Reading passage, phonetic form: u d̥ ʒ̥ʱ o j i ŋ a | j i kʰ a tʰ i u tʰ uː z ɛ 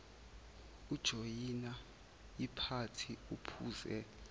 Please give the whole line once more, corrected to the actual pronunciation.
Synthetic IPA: u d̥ ʒ̥ʱ o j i n a | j i pʰ a tʰ i u pʰ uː z ɛ